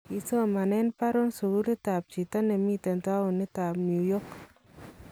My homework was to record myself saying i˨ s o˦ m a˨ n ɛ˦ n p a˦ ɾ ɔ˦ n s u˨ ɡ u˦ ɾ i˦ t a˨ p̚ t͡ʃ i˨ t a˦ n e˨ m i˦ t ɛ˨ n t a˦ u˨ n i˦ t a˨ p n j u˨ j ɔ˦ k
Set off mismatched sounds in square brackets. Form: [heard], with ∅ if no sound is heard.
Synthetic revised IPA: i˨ s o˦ m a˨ n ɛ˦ n p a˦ ɾ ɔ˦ n s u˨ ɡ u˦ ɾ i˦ t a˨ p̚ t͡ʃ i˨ t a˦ n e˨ m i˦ t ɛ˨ n t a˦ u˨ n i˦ t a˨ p n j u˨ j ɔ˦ k